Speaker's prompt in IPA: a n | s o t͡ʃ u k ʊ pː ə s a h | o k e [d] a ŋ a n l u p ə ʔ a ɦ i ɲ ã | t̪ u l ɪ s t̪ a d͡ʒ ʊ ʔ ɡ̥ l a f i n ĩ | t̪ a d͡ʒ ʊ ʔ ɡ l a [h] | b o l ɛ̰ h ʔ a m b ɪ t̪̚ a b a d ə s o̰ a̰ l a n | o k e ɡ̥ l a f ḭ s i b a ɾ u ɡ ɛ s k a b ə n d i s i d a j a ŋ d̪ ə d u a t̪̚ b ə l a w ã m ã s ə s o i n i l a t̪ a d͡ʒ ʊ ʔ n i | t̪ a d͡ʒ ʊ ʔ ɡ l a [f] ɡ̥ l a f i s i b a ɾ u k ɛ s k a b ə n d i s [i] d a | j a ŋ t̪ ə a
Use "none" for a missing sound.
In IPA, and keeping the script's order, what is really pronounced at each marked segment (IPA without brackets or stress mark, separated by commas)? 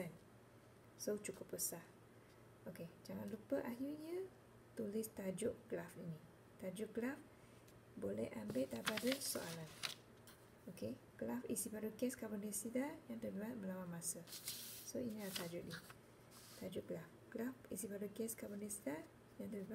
d͡ʒ, f, f, i